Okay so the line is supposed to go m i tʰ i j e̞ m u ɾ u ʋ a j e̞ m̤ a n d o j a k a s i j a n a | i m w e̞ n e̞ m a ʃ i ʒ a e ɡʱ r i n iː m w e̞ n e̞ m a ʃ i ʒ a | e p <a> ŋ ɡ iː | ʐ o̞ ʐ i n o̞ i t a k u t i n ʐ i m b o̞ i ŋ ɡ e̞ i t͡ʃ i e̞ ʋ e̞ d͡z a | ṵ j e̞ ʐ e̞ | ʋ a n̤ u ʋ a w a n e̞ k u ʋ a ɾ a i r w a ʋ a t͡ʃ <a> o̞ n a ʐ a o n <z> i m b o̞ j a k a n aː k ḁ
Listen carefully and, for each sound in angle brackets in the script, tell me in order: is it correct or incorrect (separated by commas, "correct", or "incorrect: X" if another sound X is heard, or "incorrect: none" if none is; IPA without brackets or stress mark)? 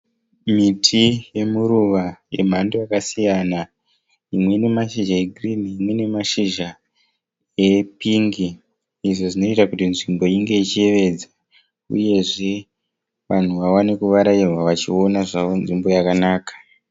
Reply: incorrect: i, incorrect: i, incorrect: ʐ